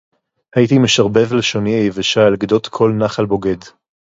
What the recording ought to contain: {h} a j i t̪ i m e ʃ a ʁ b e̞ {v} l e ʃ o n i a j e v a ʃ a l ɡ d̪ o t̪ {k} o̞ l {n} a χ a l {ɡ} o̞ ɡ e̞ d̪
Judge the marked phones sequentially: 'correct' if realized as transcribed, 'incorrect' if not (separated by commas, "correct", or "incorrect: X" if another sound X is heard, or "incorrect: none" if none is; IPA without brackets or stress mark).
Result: correct, correct, incorrect: kʰ, correct, incorrect: b